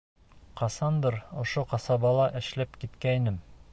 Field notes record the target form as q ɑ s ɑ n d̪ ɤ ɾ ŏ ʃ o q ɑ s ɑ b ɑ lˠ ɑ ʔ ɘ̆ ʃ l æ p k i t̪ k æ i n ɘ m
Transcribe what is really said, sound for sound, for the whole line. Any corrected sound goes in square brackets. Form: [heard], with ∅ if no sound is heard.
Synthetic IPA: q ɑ s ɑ n d̪ ɤ ɾ ŏ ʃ o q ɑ s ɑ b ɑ lˠ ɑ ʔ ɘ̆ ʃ l æ p k i t̪ k æ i n ɘ m